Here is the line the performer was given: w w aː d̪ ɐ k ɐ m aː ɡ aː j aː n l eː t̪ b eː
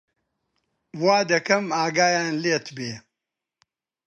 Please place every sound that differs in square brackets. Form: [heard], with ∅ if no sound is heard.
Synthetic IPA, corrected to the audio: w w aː d̪ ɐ k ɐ m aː ɡ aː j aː n l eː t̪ b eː